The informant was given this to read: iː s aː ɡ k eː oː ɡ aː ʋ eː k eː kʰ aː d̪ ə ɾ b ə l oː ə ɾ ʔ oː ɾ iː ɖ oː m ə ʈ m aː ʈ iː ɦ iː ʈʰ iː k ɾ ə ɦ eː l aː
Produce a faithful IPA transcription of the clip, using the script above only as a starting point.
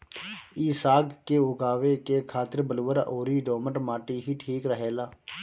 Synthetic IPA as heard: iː s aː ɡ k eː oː ɡ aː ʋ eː k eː kʰ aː t̪ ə ɾ b ə l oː ə ɾ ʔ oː ɾ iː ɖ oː m ə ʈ m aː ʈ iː ɦ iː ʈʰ iː k ɾ ə ɦ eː l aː